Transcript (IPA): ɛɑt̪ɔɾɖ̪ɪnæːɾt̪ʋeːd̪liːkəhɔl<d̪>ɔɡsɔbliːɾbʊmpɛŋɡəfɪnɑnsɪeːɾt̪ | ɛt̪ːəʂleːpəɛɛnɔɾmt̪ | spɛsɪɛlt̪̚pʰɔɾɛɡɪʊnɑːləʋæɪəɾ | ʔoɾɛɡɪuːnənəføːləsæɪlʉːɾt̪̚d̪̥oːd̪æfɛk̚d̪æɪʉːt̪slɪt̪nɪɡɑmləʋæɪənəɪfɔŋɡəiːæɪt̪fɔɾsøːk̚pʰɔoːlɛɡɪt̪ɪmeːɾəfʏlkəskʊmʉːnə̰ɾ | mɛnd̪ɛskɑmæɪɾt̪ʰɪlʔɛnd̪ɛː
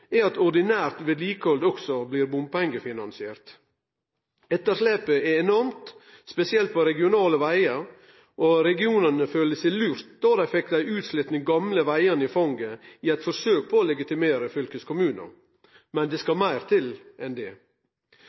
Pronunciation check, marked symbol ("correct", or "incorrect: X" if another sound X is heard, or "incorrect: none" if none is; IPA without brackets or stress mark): correct